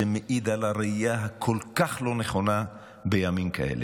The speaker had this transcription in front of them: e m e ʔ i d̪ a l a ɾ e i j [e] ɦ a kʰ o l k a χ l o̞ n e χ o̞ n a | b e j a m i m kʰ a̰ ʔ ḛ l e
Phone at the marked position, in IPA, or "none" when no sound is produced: a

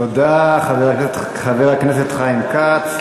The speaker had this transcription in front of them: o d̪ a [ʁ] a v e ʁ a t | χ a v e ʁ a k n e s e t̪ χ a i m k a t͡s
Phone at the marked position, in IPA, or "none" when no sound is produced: χ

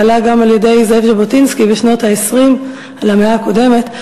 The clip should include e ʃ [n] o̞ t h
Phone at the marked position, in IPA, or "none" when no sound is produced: n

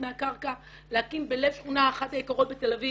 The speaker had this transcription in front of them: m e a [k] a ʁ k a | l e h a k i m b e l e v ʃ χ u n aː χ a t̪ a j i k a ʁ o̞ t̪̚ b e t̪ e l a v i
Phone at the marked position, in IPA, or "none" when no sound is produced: k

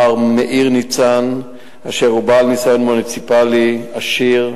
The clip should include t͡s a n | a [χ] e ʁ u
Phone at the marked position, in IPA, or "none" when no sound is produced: ʃ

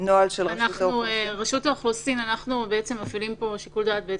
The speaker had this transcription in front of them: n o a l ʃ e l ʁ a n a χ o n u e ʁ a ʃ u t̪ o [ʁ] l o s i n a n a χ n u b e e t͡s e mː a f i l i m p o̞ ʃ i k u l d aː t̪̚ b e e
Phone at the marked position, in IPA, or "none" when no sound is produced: χ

